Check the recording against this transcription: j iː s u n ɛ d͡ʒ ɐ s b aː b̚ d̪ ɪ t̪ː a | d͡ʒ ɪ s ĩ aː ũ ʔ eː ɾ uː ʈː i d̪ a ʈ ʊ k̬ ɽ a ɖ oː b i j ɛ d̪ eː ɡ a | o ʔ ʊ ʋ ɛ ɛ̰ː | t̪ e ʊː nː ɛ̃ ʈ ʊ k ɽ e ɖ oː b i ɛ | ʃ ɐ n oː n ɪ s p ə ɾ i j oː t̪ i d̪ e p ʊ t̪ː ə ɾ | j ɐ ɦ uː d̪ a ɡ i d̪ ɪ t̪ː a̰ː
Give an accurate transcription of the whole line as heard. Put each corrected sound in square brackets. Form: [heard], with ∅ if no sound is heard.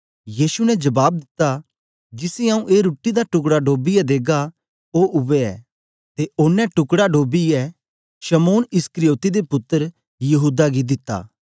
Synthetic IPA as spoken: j iː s u n ɛ d͡ʒ ɐ [∅] b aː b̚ d̪ ɪ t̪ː a | d͡ʒ ɪ s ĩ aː ũ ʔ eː ɾ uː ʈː i d̪ a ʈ ʊ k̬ ɽ a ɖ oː b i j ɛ d̪ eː ɡ a | o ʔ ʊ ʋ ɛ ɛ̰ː | t̪ e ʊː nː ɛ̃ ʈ ʊ k ɽ [a] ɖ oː b i ɛ | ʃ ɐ [m] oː n ɪ s [k] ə ɾ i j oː t̪ i d̪ e p ʊ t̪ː ə ɾ | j ɐ ɦ uː d̪ a ɡ i d̪ ɪ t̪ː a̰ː